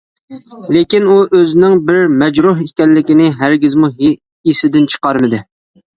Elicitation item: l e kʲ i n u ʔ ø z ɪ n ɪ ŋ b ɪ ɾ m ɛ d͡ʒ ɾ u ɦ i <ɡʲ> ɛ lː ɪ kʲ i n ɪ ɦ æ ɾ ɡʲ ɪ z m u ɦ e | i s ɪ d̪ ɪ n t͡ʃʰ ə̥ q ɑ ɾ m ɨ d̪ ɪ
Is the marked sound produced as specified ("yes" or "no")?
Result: no